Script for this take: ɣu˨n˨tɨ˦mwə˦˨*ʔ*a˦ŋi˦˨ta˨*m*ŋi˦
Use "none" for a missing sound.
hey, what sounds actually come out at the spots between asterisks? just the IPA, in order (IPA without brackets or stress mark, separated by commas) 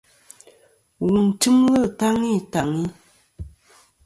t, none